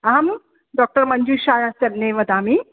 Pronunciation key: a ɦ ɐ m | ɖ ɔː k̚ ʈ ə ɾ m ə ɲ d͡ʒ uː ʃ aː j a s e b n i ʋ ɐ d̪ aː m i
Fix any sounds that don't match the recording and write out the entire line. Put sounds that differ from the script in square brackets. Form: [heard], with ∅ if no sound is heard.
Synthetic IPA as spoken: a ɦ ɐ m | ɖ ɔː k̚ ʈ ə ɾ m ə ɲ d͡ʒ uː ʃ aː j a s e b n [e] ʋ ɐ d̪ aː m i